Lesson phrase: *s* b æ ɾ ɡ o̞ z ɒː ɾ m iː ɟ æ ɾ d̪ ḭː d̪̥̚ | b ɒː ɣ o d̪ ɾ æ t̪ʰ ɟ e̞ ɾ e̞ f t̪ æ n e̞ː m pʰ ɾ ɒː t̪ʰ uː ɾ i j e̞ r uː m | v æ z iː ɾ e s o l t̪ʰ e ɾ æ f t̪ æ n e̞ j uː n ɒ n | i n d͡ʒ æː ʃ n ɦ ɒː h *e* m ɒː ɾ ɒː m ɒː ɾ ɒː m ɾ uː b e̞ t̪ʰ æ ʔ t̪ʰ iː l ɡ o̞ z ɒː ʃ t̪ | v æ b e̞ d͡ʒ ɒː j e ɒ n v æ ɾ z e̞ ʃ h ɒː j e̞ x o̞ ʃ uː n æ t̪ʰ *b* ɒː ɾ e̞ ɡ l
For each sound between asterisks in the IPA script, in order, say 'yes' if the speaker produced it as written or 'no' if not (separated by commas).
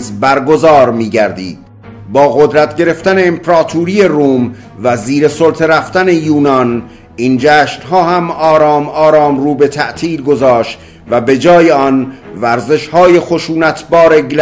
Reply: no, no, yes